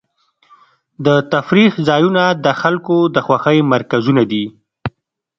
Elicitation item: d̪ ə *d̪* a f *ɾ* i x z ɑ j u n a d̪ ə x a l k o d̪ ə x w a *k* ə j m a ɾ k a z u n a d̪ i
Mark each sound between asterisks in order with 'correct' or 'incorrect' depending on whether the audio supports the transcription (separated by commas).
incorrect, correct, incorrect